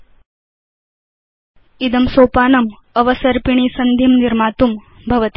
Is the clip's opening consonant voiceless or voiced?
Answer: voiced